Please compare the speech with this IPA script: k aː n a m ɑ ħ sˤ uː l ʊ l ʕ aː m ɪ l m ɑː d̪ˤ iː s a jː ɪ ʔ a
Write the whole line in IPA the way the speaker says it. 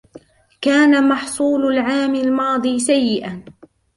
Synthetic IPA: k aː n a m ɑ ħ sˤ uː l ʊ l ʕ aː m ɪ l m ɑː d̪ˤ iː s a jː ɪ ʔ a